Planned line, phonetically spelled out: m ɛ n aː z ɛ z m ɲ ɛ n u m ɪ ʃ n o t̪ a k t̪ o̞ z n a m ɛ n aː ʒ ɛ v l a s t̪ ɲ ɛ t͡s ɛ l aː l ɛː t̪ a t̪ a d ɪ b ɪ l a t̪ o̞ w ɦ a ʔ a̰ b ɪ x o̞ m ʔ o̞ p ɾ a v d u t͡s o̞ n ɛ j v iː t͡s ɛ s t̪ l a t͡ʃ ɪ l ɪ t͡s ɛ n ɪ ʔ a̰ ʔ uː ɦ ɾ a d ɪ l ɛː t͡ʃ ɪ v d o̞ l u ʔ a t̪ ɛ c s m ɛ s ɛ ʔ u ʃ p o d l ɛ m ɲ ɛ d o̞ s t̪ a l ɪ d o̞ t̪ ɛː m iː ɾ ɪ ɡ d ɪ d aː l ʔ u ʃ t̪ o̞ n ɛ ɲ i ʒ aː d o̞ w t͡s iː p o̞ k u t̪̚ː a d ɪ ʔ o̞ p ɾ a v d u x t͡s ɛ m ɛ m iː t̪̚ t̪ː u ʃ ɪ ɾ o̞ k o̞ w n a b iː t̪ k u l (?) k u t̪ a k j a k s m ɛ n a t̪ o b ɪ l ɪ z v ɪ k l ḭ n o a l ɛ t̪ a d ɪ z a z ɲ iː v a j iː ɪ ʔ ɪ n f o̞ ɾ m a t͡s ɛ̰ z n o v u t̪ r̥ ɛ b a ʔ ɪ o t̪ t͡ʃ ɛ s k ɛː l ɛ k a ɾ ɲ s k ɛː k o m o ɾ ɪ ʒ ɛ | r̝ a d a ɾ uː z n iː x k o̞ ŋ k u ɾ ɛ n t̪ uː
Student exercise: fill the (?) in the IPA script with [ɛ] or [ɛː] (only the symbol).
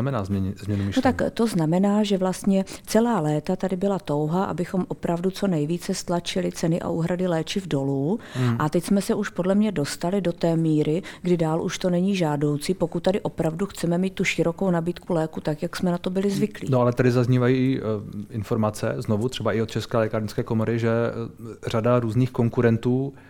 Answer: ɛː